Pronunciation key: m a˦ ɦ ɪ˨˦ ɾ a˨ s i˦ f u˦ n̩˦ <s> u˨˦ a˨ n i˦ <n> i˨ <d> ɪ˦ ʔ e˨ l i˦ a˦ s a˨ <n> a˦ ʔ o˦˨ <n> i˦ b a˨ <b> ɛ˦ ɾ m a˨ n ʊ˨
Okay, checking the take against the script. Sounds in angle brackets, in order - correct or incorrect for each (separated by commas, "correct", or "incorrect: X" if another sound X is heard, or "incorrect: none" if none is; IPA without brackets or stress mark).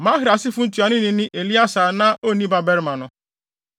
incorrect: t, correct, incorrect: n, correct, correct, correct